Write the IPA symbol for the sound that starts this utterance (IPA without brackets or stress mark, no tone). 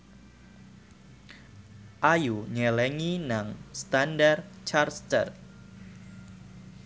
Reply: ʔ